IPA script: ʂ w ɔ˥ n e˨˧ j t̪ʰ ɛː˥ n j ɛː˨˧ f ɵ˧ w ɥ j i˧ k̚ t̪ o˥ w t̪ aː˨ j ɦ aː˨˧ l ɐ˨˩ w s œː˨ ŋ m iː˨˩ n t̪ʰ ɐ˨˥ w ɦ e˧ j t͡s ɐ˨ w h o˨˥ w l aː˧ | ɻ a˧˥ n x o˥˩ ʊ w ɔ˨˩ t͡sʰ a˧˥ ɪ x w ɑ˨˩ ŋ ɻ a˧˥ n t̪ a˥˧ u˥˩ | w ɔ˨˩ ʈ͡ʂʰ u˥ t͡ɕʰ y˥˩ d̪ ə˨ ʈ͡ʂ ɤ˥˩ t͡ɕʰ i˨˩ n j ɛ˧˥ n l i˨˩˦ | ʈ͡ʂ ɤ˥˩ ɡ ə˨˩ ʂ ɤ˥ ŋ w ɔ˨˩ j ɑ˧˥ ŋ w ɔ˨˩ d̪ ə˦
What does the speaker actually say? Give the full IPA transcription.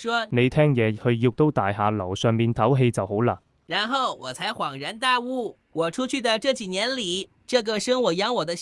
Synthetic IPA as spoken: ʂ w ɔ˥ n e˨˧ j t̪ʰ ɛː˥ ŋ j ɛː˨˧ h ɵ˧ ɥ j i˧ k̚ t̪ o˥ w t̪ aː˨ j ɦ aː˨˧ l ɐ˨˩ w s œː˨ ŋ m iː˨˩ n t̪ʰ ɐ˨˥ w ɦ e˧ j t͡s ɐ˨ w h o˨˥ w l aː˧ | ɻ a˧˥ n x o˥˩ ʊ w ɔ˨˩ t͡sʰ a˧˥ ɪ x w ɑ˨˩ ŋ ɻ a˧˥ n t̪ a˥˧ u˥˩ | w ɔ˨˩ ʈ͡ʂʰ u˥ t͡ɕʰ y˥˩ d̪ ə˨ ʈ͡ʂ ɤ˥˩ t͡ɕ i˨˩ n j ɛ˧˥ n l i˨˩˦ | ʈ͡ʂ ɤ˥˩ ɡ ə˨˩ ʂ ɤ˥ ŋ w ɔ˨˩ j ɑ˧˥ ŋ w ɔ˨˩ d̪ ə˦

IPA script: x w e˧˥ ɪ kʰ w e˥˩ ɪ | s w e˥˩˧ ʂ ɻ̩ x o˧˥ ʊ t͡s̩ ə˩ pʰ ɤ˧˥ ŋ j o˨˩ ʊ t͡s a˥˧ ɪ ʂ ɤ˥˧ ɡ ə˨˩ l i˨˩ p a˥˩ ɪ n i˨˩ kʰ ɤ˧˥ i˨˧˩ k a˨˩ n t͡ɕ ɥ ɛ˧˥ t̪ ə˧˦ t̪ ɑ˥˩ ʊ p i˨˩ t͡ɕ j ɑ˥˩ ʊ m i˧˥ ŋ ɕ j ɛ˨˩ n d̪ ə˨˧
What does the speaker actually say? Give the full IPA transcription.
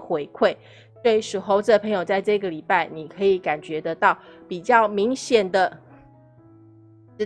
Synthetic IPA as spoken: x w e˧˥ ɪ kʰ w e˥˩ ɪ | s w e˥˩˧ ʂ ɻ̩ x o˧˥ ʊ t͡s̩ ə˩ pʰ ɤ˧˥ ŋ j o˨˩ ʊ t͡s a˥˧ ɪ ʈ͡ʂ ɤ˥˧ ɡ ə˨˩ l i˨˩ p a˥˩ ɪ n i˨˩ kʰ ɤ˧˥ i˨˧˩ k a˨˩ n t͡ɕ ɥ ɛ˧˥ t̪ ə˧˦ t̪ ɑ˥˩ ʊ p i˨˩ t͡ɕ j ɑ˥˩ ʊ m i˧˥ ŋ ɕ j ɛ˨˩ n d̪ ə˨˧

